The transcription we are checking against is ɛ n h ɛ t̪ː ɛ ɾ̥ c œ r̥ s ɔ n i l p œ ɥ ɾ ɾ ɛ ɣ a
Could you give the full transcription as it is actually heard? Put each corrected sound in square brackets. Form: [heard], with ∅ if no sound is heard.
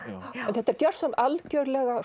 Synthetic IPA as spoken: ɛ n [θ] ɛ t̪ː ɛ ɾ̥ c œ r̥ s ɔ n [a] l [c] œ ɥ ɾ [l] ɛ ɣ a

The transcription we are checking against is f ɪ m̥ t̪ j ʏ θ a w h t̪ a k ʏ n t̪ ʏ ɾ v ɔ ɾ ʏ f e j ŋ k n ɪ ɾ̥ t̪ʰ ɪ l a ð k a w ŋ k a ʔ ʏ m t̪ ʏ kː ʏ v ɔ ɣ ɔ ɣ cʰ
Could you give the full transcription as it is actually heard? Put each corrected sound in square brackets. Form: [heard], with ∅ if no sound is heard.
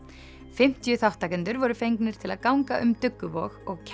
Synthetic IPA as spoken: f ɪ m̥ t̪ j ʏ θ a w h t̪ a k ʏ n t̪ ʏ ɾ v ɔ ɾ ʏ f e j ŋ k n ɪ ɾ̥ t̪ʰ ɪ l a ð k a w ŋ k a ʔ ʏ m t̪ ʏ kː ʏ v ɔ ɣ ɔ ɣ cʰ

